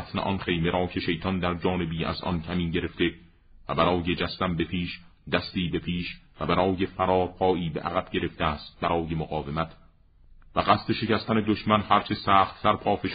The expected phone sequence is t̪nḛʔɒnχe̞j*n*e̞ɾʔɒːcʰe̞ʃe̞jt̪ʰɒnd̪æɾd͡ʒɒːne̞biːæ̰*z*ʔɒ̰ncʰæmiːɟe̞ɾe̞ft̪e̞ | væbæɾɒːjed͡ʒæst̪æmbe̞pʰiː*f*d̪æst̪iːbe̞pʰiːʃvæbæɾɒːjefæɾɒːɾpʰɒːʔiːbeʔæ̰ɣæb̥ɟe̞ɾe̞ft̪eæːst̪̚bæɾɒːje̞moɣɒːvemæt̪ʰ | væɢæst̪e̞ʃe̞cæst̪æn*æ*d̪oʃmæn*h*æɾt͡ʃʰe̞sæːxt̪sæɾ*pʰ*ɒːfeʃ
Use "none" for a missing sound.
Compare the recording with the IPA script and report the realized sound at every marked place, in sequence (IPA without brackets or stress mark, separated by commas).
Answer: m, z, ʃ, e, h, pʰ